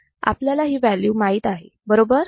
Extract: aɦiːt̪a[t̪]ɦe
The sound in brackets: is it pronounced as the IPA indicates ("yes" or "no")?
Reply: no